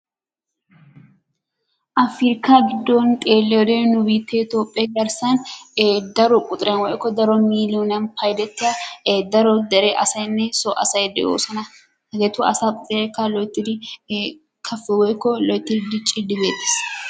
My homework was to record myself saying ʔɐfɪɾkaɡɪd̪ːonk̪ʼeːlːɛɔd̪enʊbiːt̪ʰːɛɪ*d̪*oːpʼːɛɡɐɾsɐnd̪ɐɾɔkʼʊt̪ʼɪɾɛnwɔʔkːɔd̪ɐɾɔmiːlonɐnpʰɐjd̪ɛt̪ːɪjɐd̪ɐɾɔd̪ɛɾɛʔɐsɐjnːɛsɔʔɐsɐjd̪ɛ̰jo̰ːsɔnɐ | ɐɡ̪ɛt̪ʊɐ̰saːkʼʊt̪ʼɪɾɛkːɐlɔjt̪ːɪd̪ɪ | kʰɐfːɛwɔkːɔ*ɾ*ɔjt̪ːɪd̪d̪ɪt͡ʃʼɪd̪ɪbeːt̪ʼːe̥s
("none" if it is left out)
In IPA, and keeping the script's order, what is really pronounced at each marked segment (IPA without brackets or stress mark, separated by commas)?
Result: t̪, l